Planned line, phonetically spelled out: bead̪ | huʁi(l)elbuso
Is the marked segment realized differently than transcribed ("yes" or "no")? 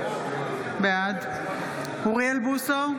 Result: yes